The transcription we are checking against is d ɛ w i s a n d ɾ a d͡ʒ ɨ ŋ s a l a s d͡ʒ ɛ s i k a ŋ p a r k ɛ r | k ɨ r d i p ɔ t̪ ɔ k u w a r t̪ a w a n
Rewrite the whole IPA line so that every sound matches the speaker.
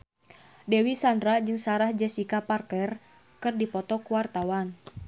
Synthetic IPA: d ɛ w i s a n d ɾ a d͡ʒ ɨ ŋ s a ɾ a h d͡ʒ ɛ s i k a p a r k ɛ r | k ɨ r d i p ɔ t̪ ɔ k u w a r t̪ a w a n